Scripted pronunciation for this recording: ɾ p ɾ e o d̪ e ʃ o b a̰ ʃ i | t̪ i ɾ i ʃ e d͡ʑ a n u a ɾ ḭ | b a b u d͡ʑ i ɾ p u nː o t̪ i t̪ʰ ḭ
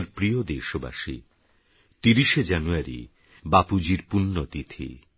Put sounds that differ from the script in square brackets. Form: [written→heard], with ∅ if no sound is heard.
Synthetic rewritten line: ɾ p ɾ [e→i] o d̪ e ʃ o b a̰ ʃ i | t̪ i ɾ i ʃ e d͡ʑ a n u a ɾ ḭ | b a [b→p] u d͡ʑ i ɾ p u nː o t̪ i t̪ʰ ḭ